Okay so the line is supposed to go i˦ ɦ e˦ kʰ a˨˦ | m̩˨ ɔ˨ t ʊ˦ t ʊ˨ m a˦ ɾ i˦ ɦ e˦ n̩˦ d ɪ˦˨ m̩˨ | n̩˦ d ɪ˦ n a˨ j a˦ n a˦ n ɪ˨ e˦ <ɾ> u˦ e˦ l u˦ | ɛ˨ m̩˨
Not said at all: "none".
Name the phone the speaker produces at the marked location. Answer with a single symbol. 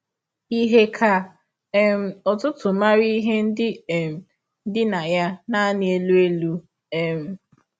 l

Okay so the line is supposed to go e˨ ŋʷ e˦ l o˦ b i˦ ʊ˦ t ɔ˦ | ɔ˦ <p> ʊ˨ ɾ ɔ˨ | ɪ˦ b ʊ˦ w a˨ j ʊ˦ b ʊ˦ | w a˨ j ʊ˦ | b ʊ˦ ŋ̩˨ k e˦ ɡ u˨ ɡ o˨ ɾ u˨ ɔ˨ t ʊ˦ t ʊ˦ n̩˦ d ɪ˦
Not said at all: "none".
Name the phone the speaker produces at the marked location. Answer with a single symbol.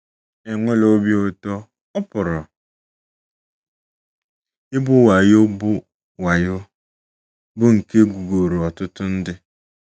p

